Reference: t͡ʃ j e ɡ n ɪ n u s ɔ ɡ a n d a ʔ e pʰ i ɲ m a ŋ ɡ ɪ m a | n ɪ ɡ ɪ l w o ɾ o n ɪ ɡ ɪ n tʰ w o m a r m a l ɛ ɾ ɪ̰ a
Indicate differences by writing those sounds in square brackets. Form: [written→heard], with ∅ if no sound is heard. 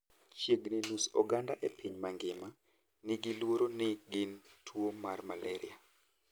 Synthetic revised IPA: t͡ʃ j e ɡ n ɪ n u s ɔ ɡ a n d a ʔ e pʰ i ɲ m a ŋ ɡ ɪ m a | n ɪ ɡ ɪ l w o ɾ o n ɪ ɡ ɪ n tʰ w o m a r m a l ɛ ɾ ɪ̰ a